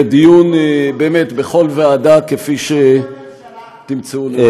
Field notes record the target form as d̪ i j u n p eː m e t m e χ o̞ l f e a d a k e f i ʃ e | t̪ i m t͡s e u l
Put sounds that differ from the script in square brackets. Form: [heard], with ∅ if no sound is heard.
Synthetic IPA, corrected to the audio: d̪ i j u n [b] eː m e t [b] e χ o̞ l [v] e a d a k e f i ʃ e | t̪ i m t͡s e u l